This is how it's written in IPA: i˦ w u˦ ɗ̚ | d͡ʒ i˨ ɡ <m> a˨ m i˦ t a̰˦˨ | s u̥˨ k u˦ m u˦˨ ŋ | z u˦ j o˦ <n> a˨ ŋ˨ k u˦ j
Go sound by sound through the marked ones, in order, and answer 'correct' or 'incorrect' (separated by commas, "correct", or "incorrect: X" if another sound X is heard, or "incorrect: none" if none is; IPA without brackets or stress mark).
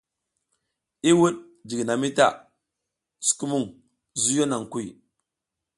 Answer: incorrect: n, correct